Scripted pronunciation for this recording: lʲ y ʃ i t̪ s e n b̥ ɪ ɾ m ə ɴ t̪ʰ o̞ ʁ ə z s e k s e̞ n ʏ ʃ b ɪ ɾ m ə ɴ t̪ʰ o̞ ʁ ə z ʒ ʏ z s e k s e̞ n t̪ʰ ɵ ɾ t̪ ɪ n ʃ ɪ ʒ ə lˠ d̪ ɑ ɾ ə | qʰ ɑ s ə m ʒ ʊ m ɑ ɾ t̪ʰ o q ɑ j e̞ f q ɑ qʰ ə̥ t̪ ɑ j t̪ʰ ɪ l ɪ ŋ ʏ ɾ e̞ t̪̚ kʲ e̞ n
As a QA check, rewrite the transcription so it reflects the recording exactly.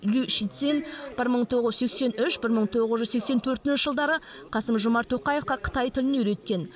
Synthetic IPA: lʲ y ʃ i t̪ s e n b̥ ɪ ɾ m ə ɴ t̪ʰ o̞ ʁ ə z s e k s e̞ n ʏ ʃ b ɪ ɾ m ə ɴ t̪ʰ o̞ ʁ ə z ʒ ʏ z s e k s e̞ n t̪ʰ ɵ ɾ t̪ ɪ n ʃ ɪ ʒ ə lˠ d̪ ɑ ɾ ə | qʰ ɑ s ə m ʒ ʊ m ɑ ɾ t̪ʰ o q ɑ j e̞ f q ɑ qʰ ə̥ t̪ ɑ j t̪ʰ ɪ l ɪ n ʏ ɾ e̞ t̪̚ kʲ e̞ n